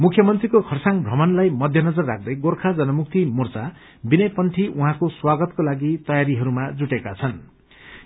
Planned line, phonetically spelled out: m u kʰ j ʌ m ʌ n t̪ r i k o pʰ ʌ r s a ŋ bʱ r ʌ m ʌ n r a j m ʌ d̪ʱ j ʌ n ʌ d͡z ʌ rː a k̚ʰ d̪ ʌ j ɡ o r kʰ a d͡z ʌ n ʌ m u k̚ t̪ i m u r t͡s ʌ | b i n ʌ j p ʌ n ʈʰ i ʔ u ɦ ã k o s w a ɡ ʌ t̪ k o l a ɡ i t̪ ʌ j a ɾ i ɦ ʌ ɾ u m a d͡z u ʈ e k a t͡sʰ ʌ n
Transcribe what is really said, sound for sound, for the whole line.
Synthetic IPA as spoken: m u kʰ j ʌ m ʌ n t̪ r i k o kʰ ʌ r s a ŋ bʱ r ʌ m ʌ n l a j m ʌ d̪ʱ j ʌ n ʌ d͡z ʌ rː a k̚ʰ d̪ ʌ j ɡ o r kʰ a d͡z ʌ n ʌ m u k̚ t̪ i m u r t͡s a | b i n ʌ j p ʌ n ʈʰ i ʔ u ɦ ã k o s w a ɡ ʌ t̪ k o l a ɡ i t̪ ʌ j a ɾ i ɦ ʌ ɾ u m a d͡z u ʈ e k a t͡sʰ ʌ n

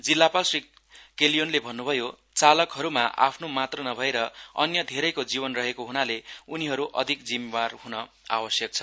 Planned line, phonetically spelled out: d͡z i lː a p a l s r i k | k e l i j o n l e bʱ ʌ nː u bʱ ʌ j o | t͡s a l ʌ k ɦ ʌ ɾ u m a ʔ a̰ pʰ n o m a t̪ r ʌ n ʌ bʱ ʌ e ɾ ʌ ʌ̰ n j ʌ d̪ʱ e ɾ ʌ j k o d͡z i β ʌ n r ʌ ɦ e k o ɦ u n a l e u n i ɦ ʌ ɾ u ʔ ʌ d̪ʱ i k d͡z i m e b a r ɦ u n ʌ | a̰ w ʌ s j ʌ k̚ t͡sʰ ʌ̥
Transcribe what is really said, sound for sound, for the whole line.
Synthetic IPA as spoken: d͡z i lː a p a l s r i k | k e l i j o n l e bʱ ʌ nː u bʱ ʌ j o | t͡s a l ʌ k ɦ ʌ ɾ u m a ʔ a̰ pʰ n o m a t̪ r ʌ n ʌ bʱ ʌ e ɾ ʌ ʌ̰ n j ʌ d̪ʱ e ɾ ʌ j k o d͡z i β ʌ n r ʌ ɦ e k o ɦ u n a l e u n i ɦ ʌ ɾ u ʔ ʌ d̪ʱ i k d͡z i m e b a r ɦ u n ʌ | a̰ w ʌ s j ʌ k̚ t͡sʰ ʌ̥

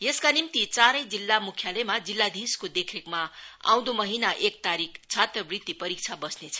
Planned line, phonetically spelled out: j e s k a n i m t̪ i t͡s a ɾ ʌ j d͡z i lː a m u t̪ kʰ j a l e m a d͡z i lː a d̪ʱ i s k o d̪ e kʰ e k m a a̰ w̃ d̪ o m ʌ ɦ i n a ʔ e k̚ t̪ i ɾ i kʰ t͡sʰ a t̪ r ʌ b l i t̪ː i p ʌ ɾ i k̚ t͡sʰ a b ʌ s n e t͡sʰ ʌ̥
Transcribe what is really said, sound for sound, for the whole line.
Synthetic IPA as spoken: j e s k a n i m t̪ i t͡s a ɾ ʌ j d͡z i lː a m u kʰ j a l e m a d͡z i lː a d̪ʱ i s k o d̪ e kʰ e k m a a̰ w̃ d̪ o m ʌ ɦ i n a ʔ e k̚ t̪ a ɾ i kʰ t͡sʰ a t̪ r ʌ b r i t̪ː i p ʌ ɾ i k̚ t͡sʰ a b ʌ s n e t͡sʰ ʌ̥

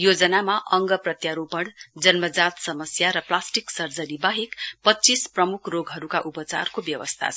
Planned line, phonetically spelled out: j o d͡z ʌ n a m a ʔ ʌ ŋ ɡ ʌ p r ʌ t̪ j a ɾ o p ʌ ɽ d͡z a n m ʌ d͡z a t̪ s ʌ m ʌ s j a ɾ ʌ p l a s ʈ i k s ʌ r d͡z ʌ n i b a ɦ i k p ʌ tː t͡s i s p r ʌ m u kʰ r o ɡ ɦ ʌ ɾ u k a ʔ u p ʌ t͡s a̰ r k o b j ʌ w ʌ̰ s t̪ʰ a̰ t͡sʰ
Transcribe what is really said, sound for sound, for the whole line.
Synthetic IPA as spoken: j o d͡z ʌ n a m a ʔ ʌ ŋ ɡ ʌ p r ʌ t̪ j a ɾ o p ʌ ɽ d͡z ʌ n m ʌ d͡z a t̪ s ʌ m ʌ s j a ɾ ʌ p l a s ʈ i k s ʌ r d͡z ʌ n i b a ɦ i k p ʌ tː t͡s i s p r ʌ m u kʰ r o ɡ ɦ ʌ ɾ u k a ʔ u p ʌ t͡s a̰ r k o b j ʌ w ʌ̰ s t̪ʰ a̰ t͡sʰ

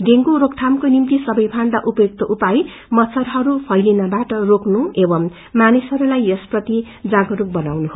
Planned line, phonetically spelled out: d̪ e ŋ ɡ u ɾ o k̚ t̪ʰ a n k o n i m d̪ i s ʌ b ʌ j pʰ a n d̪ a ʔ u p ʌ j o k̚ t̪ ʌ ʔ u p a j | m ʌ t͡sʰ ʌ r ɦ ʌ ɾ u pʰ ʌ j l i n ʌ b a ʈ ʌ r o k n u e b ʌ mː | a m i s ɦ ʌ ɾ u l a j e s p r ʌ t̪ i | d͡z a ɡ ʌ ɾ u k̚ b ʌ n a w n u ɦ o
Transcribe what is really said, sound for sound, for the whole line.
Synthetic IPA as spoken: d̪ e ŋ ɡ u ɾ o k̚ t̪ʰ a m k o n i m t̪ i s ʌ b ʌ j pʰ a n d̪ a ʔ u p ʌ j o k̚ t̪ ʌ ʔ u p a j | m ʌ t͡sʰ ʌ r ɦ ʌ ɾ u pʰ ʌ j l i n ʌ b a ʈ ʌ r o k n u e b ʌ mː | a n i s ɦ ʌ ɾ u l a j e s p r ʌ t̪ i | d͡z a ɡ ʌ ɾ u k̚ b ʌ n a w n u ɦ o

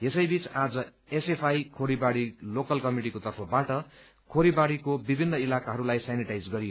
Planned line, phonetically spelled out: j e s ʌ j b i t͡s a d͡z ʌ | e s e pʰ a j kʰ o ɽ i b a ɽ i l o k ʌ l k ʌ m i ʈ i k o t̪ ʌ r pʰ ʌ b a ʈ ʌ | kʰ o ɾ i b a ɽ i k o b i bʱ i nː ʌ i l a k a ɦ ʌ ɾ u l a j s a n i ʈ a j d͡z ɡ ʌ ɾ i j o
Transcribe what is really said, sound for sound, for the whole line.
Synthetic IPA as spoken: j e s ʌ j b i t͡s a d͡z ʌ | e s e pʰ a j kʰ o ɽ i b a ɽ i l o k ʌ l k ʌ m i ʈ i k o t̪ ʌ r pʰ ʌ b a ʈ ʌ | kʰ o ɾ i b a ɽ i k o b i bʱ i nː ʌ i l a k a ɦ ʌ ɾ u l a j s a n i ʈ a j d͡z ɡ ʌ ɾ i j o

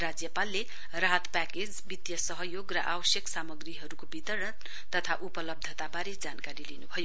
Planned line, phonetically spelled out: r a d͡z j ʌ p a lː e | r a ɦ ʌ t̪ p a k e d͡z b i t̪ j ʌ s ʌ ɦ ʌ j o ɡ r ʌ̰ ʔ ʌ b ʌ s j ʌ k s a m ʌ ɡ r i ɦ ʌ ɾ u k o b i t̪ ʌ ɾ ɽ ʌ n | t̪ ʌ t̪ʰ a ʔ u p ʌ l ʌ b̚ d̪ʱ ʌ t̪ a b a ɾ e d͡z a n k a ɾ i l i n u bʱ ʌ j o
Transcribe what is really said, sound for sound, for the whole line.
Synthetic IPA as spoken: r a d͡z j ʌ p a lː e | r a ɦ ʌ t̪ p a k e d͡z b i t̪ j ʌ s ʌ ɦ ʌ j o ɡ r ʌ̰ ʔ a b ʌ s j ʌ k s a m ʌ ɡ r i ɦ ʌ ɾ u k o b i t̪ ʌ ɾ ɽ ʌ n | t̪ ʌ t̪ʰ a ʔ u p ʌ l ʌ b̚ d̪ʱ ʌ t̪ a b a ɾ e d͡z a n k a ɾ i l i n u bʱ ʌ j o

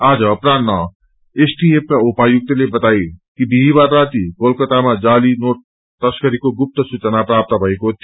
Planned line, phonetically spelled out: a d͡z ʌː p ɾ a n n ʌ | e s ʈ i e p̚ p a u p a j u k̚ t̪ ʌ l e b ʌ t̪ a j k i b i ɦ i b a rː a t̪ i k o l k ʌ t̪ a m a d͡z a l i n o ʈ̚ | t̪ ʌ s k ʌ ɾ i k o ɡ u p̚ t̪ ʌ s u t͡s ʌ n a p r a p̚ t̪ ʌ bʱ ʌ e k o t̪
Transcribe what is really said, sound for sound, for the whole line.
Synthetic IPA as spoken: a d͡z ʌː p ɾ a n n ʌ | e s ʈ i e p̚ k a u p a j u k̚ t̪ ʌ l e b ʌ t̪ a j k i b i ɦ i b a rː a t̪ i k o l k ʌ t̪ a m a d͡z a l i n o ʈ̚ | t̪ ʌ s k ʌ ɾ i k o ɡ u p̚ t̪ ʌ s u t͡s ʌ n a p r a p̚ t̪ ʌ bʱ ʌ e k o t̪

